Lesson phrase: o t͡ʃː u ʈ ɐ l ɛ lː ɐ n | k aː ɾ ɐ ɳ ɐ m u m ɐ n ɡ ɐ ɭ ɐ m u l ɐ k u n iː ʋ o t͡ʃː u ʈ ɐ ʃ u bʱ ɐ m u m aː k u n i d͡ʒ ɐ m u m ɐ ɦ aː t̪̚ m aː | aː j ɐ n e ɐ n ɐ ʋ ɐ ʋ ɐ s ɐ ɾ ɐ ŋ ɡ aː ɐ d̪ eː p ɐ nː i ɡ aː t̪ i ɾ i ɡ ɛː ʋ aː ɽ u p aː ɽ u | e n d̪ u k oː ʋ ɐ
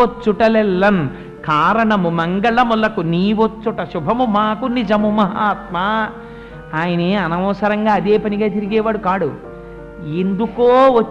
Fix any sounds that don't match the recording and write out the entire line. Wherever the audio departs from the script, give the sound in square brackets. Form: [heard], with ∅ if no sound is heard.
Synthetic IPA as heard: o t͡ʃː u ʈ ɐ l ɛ lː ɐ n | k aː ɾ ɐ ɳ ɐ m u m ɐ [ŋ] ɡ ɐ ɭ ɐ m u l ɐ k u n iː ʋ o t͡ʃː u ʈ ɐ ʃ u bʱ ɐ m u m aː k u n i d͡ʒ ɐ m u m ɐ ɦ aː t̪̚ m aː | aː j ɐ n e ɐ n ɐ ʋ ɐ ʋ ɐ s ɐ ɾ ɐ ŋ ɡ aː ɐ d̪ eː p ɐ [n] i ɡ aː t̪ i ɾ i ɡ ɛː ʋ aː ɽ u [k] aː ɽ u | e n d̪ u k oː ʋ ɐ